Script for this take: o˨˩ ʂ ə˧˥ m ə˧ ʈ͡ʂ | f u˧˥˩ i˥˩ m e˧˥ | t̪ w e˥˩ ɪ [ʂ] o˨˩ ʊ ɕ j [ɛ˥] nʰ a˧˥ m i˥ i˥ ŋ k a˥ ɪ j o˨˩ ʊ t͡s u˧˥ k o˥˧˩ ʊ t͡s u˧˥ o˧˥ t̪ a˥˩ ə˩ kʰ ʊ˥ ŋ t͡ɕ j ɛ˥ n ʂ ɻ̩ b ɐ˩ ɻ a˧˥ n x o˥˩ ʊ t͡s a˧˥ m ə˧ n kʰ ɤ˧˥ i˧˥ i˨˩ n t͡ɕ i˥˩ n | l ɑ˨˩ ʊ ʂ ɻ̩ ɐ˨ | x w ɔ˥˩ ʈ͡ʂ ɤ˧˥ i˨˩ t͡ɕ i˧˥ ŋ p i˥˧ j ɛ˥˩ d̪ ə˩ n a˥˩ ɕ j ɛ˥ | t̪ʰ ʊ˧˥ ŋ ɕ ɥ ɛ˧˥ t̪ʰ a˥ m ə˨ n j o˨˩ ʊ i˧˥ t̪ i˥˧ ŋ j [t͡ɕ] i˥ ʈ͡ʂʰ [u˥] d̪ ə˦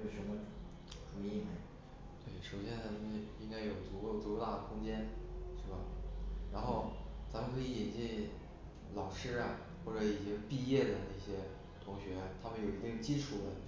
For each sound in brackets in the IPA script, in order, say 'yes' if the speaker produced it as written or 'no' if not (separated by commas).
yes, yes, yes, no